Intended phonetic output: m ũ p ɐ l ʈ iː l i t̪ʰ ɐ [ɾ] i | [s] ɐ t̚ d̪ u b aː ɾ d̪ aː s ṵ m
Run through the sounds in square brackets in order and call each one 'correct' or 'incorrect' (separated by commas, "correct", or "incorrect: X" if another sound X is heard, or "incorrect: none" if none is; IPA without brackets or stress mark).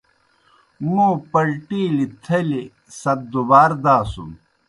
incorrect: l, correct